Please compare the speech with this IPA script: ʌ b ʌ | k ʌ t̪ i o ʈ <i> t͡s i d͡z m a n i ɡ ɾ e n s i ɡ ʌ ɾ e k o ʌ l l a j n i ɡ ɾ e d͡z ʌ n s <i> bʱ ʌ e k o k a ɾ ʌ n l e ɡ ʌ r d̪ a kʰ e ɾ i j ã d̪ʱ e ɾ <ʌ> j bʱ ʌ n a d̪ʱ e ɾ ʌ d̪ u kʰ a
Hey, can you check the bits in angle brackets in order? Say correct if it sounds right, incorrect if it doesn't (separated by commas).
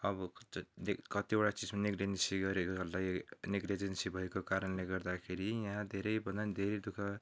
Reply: incorrect, correct, correct